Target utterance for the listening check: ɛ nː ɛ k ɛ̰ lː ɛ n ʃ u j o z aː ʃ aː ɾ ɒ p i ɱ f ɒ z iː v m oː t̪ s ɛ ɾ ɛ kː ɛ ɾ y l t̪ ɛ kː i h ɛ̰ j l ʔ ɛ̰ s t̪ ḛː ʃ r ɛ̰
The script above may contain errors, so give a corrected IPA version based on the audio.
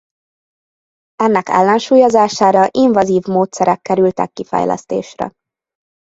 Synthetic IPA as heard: ɛ nː ɛ k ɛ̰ lː ɛ n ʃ uː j o z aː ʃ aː ɾ ɒ ʔ i ɱ v ɒ z iː v m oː t̪ s ɛ ɾ ɛ kː ɛ ɾ y l t̪ ɛ kː i f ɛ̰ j l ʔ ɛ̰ s t̪ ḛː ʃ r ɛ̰